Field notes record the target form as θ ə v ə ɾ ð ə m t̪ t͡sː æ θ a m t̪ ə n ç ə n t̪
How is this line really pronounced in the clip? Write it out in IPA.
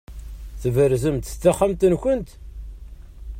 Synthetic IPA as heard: θ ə v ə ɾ z ə m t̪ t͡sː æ χ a m t̪ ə n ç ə n t̪